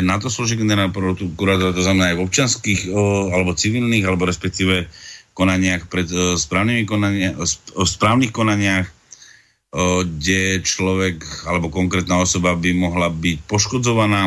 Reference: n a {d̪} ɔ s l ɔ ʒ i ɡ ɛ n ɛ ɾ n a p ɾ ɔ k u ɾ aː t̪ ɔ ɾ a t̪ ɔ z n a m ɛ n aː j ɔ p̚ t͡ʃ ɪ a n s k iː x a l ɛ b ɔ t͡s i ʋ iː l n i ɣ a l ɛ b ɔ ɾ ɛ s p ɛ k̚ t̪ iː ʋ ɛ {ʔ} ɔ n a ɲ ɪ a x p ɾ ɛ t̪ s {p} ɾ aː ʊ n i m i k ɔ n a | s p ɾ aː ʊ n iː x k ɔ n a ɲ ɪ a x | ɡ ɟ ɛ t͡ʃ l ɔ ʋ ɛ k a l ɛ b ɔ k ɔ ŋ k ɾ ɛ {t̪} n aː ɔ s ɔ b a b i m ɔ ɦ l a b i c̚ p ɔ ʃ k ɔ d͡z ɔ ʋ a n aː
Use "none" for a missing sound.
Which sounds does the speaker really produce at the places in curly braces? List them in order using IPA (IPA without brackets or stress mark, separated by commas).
t̪, k, p, t̪